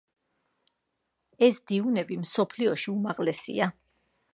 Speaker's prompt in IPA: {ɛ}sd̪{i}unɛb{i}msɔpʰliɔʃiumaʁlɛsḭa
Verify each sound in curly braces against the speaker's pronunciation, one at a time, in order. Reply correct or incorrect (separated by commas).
correct, correct, correct